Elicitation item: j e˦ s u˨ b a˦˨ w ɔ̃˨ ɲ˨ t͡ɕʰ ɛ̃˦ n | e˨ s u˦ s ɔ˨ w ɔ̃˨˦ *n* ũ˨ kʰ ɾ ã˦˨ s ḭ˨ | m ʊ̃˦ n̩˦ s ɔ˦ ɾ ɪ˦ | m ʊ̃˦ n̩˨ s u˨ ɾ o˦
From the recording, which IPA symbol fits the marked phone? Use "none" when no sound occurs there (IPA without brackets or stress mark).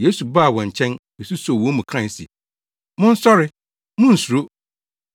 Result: m